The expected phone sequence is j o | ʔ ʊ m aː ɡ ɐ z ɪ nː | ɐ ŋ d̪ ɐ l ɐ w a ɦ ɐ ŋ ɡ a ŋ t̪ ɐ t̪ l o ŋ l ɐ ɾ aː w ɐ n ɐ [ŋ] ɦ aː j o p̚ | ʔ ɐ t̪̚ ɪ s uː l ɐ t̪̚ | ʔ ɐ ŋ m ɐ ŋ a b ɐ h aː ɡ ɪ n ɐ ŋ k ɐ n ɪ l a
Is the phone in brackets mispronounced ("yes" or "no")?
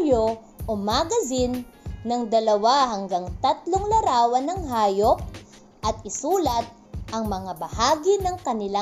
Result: no